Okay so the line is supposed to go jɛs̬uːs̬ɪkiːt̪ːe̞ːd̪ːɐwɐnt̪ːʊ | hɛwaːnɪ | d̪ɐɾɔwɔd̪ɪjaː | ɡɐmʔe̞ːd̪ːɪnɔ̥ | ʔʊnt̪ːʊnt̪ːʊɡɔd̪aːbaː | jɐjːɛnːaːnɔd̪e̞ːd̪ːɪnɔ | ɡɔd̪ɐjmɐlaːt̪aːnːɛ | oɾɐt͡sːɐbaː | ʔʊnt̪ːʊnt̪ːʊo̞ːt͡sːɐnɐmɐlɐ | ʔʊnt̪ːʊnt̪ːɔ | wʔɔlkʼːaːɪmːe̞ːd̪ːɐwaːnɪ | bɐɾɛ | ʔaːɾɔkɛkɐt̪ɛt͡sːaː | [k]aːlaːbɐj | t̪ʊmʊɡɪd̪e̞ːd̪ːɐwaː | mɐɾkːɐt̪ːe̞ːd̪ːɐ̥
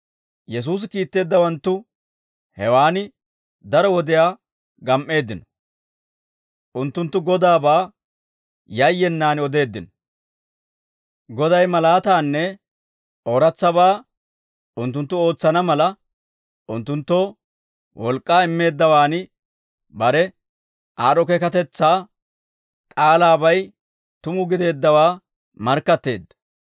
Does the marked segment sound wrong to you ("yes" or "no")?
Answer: yes